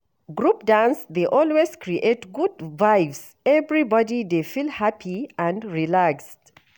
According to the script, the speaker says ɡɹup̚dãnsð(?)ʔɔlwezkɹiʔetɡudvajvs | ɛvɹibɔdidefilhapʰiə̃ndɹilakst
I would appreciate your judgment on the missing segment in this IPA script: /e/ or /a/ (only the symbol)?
e